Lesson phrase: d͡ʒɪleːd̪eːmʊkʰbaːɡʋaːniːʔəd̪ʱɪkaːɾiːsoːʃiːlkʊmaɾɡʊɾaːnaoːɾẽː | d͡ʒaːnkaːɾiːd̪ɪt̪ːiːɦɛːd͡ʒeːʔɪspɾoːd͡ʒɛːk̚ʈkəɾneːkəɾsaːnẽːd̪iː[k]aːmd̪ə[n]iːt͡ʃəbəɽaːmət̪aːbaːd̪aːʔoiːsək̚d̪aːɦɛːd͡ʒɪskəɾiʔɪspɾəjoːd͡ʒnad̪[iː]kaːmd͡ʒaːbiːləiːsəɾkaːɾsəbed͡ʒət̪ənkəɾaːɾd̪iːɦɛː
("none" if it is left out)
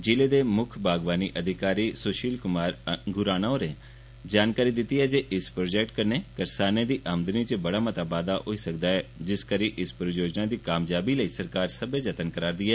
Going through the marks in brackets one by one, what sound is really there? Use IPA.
ʔ, n, iː

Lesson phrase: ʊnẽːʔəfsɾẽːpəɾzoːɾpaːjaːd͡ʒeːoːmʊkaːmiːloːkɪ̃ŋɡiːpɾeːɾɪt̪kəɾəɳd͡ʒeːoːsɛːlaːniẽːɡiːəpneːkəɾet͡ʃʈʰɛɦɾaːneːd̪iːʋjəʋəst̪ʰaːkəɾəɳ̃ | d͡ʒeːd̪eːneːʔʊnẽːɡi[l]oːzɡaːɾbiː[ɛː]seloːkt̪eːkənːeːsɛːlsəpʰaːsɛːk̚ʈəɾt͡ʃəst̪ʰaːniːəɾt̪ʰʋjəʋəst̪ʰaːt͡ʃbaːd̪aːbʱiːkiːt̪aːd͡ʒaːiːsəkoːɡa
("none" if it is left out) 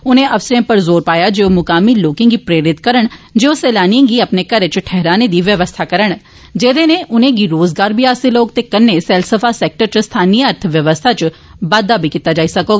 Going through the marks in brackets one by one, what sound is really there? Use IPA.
ɾ, aː

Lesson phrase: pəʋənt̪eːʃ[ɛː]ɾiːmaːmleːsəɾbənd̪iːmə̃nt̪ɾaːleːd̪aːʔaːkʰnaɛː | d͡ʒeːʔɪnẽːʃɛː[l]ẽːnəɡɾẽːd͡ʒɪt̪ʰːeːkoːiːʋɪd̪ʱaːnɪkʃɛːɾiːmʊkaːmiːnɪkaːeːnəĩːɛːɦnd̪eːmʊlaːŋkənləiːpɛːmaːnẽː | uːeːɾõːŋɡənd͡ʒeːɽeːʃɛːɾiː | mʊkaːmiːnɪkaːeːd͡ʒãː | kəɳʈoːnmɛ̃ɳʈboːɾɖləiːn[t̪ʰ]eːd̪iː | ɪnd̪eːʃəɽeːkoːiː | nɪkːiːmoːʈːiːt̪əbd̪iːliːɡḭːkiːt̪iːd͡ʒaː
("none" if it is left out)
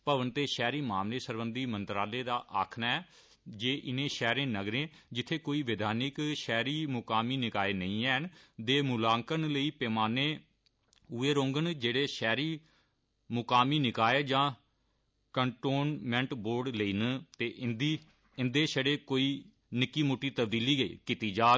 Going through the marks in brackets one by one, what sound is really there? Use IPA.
ɛː, ɾ, t̪

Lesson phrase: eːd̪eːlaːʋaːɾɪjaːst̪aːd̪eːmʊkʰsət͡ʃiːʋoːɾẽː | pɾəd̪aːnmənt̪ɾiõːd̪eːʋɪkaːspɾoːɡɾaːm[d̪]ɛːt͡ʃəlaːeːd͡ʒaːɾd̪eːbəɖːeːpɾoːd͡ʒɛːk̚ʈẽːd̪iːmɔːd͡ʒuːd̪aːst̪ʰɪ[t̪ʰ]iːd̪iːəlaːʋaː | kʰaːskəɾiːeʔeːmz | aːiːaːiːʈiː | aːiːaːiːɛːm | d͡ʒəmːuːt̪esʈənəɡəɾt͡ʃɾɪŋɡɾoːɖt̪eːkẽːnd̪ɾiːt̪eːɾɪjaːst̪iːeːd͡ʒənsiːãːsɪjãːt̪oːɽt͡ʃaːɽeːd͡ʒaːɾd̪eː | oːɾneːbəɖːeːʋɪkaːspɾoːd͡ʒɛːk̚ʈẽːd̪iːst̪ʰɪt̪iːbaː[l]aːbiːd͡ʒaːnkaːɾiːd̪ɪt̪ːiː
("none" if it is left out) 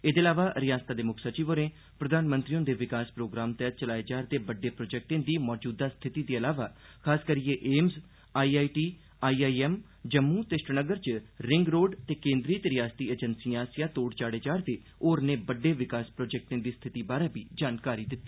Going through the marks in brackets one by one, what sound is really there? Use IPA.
t̪, t̪, ɾ

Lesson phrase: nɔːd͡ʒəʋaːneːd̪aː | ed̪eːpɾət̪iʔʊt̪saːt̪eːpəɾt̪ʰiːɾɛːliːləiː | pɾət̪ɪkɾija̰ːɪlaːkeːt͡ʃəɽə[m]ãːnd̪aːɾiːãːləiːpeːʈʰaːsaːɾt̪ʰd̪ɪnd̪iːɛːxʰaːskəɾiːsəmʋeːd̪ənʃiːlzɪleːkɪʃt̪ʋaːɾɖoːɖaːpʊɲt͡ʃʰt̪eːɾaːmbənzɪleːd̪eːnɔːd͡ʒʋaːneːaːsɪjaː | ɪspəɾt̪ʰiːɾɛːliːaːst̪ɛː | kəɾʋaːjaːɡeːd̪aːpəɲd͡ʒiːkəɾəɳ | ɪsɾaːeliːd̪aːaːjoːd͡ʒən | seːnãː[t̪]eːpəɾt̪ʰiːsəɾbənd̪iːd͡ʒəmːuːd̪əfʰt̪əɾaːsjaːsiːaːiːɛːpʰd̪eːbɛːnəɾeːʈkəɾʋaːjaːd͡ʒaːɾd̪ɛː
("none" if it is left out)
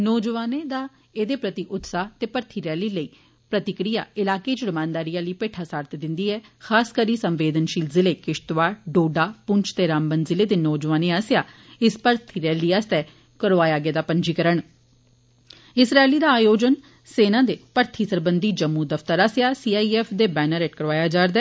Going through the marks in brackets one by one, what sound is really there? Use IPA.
m, d̪

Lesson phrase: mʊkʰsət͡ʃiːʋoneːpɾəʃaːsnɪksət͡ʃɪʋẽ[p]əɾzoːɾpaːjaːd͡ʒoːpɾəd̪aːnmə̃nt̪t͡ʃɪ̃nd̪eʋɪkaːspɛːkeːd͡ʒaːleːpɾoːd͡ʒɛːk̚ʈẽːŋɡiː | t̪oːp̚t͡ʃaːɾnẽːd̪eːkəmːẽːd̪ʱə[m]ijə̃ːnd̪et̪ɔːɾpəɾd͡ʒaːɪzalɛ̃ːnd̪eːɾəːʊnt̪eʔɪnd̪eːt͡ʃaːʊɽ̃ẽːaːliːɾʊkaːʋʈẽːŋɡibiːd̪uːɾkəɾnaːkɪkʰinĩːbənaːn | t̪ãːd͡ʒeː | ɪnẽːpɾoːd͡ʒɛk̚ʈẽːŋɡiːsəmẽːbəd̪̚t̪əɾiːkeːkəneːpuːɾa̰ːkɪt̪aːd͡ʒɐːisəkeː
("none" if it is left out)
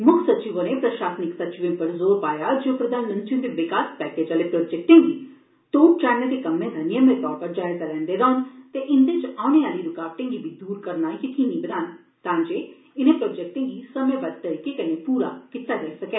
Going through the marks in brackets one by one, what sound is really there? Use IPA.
p, n

